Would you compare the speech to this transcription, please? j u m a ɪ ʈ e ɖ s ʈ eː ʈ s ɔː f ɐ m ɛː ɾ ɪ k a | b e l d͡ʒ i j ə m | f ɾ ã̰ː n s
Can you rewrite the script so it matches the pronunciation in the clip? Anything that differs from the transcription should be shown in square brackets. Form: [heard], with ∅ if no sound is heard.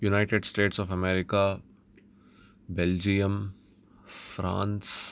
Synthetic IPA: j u [n] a ɪ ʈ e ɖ s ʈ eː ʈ s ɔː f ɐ m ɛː ɾ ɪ k a | b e l d͡ʒ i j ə m | f ɾ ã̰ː n s